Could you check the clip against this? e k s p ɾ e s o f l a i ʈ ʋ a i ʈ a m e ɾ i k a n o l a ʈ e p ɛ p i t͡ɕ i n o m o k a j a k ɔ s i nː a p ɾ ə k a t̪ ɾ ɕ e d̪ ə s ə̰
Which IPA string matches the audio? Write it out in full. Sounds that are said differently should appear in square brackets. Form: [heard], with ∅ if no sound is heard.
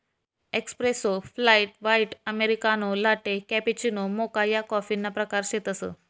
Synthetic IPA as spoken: e k s p ɾ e s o f l a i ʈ ʋ a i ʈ [ə] m e ɾ i k a n o l a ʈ e [k] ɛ p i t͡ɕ i n o m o k a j a k ɔ [f] i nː a p ɾ ə k a [∅] ɾ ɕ e [t̪] ə s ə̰